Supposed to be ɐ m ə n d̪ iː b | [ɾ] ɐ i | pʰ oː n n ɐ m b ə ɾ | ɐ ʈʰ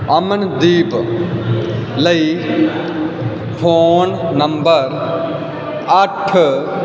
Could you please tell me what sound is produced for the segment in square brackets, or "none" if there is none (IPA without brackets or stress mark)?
l